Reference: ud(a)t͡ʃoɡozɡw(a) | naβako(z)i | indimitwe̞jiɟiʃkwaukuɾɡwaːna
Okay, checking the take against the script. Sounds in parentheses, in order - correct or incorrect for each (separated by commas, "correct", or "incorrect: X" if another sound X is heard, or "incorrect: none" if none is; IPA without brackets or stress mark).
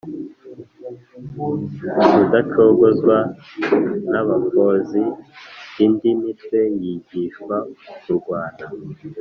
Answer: correct, correct, correct